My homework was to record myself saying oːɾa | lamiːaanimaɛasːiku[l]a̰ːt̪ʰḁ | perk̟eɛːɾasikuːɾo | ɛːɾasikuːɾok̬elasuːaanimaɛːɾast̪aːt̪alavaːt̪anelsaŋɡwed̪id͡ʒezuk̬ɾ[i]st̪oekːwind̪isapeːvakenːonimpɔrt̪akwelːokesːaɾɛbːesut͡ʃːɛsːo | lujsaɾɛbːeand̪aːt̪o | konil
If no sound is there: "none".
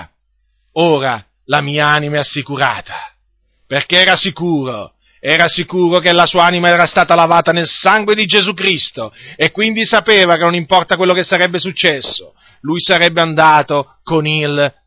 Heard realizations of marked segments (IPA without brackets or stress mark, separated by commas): ɾ, i